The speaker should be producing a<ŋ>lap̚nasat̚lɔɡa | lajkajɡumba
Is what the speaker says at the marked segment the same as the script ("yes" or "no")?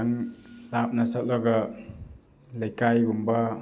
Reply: yes